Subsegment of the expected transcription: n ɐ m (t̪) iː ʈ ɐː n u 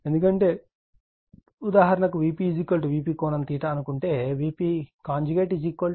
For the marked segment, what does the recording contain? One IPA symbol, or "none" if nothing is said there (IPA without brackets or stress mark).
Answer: t̪